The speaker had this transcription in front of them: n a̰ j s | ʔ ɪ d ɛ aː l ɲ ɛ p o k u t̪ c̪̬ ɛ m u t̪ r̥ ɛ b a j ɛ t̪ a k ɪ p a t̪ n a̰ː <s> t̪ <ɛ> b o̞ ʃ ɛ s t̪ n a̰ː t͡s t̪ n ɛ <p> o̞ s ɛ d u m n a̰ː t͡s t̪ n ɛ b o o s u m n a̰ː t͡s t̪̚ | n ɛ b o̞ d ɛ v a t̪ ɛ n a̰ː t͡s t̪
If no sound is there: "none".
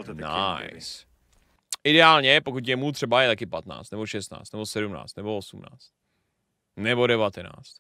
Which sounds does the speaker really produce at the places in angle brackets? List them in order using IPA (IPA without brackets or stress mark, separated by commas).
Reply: t͡s, ɛ, b